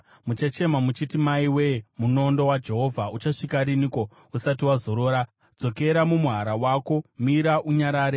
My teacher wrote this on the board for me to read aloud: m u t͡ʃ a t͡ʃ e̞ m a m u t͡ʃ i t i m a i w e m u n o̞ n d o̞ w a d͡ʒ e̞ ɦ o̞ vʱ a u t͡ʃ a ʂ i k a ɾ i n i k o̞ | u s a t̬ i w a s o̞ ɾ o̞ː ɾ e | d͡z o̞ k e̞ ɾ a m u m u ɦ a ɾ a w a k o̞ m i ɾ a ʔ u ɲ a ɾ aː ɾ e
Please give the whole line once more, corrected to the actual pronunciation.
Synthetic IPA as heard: m u t͡ʃ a t͡ʃ e̞ m a m u t͡ʃ i t i m a i w e m u n o̞ n d o̞ w a d͡ʒ e̞ ɦ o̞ vʱ a u t͡ʃ a ʂ i k a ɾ i n i k o̞ | u s a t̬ i w a z o̞ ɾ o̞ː ɾ a | d͡z o̞ k e̞ ɾ a m u m u ɦ a ɾ a w a k o̞ m i ɾ a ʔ u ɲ a ɾ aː ɾ e